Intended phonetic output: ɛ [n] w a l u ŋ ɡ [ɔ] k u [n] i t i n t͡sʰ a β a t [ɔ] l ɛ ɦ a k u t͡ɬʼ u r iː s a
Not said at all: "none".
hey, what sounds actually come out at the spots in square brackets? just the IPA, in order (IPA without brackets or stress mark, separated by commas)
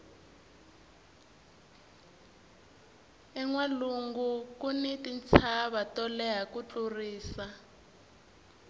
ŋ, u, n, ɔ